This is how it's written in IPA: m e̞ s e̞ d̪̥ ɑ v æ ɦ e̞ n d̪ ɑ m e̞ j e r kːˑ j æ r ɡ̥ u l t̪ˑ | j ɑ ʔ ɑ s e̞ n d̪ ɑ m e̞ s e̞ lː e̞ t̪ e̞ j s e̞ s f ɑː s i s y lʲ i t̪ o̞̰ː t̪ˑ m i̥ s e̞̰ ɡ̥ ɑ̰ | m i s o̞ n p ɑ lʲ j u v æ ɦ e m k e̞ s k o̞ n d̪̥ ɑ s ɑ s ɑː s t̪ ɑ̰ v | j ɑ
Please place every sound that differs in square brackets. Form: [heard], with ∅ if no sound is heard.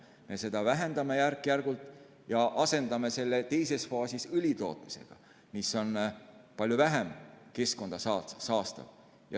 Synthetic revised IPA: m e̞ s e̞ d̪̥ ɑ v æ ɦ e̞ n d̪ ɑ m e̞ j [æ] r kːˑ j æ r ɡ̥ u l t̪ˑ | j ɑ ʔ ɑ s e̞ n d̪ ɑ m e̞ s e̞ lː e̞ t̪ e̞ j s e̞ s f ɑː s i s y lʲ i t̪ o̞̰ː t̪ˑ m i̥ s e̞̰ ɡ̥ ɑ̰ | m i s o̞ n p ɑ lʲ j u v æ ɦ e m k e̞ s k o̞ n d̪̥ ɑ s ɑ s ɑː s t̪ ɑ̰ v | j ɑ

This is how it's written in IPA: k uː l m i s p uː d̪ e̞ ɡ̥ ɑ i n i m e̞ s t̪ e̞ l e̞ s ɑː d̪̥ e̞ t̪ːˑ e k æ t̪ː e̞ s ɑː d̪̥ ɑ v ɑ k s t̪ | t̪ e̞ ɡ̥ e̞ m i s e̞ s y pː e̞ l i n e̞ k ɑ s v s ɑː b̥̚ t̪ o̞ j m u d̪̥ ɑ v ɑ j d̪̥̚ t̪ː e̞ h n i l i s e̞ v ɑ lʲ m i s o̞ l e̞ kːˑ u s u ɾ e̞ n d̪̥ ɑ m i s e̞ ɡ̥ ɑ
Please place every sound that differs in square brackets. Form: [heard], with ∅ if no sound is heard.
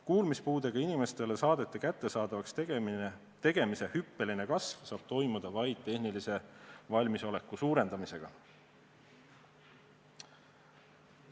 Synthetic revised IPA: k uː l m i s p uː d̪ e̞ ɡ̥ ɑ i n i m e̞ s t̪ e̞ l e̞ s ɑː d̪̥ e̞ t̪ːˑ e k æ t̪ː e̞ s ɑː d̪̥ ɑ v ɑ k s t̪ | t̪ e̞ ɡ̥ e̞ m i s e̞ [h] y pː e̞ l i n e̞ k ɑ s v s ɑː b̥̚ t̪ o̞ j m u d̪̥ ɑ v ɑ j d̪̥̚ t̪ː e̞ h n i l i s e̞ v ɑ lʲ m i s o̞ l e̞ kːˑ u s [uː] ɾ e̞ n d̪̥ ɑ m i s e̞ ɡ̥ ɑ

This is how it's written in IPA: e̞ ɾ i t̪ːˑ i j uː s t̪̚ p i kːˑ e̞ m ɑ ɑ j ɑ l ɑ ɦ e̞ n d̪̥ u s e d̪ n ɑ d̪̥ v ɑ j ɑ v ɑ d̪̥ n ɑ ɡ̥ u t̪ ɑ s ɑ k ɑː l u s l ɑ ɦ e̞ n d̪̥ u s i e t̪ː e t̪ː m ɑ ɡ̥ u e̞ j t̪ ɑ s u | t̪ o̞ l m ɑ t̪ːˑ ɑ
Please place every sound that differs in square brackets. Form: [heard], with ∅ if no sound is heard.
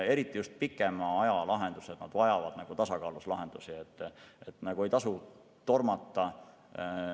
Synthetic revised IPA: e̞ ɾ i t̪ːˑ i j [u] s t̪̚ p i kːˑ e̞ m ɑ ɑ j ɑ l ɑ ɦ e̞ n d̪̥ u s e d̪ n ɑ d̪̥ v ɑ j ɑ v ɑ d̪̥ n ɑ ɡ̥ u t̪ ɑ s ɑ k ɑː l u s l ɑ ɦ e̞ n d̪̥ u s i e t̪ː e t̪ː [n] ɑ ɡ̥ u e̞ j t̪ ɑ s u | t̪ o̞ [r] m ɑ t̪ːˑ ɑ

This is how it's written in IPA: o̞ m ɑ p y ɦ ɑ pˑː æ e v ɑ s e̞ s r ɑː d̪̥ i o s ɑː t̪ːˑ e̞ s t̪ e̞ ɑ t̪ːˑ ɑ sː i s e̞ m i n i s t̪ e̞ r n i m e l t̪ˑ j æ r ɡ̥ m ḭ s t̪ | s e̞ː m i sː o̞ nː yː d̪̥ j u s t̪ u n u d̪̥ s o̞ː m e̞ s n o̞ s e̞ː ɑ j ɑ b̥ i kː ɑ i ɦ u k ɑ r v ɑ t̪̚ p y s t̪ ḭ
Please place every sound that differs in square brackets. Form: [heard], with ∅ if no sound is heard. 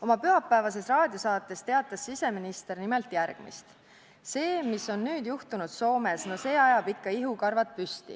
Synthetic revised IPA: o̞ m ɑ p y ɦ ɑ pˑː æ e v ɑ s e̞ s r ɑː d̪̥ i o s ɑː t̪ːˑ e̞ s t̪ e̞ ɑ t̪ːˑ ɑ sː i s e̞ m i n i s t̪ e̞ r n i m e l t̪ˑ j æ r ɡ̥ m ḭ s t̪ | s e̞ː m i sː o̞ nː yː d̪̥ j u [h] t̪ u n u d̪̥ s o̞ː m e̞ s n o̞ s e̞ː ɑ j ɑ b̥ i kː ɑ i ɦ u k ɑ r v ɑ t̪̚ p y s t̪ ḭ

